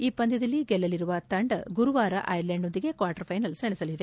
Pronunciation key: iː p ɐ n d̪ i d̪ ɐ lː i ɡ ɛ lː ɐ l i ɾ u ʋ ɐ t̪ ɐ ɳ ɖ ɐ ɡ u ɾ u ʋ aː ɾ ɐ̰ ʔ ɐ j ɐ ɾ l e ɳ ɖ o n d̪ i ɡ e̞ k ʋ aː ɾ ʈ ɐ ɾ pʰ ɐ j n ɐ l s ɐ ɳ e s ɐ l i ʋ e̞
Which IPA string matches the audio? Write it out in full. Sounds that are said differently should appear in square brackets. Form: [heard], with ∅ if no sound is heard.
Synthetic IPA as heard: iː p ɐ n d̪ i d̪ ɐ lː i ɡ ɛ lː ɐ l i ɾ u ʋ ɐ t̪ ɐ ɳ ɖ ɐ ɡ u ɾ u ʋ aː ɾ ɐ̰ ʔ ɐ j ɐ ɾ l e ɳ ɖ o n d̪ i ɡ e̞ k ʋ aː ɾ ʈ ɐ ɾ pʰ ɐ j n ɐ l s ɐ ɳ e s ɐ l i ʋ e̞